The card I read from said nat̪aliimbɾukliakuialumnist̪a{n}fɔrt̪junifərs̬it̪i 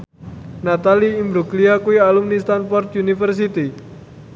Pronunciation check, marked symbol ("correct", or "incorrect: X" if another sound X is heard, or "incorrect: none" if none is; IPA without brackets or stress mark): correct